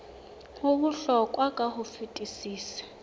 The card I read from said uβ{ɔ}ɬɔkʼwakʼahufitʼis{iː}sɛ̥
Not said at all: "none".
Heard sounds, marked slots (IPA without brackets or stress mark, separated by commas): u, iː